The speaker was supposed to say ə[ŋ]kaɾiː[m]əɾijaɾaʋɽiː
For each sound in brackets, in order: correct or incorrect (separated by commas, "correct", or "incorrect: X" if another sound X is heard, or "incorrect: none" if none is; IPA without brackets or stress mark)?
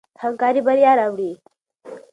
correct, incorrect: b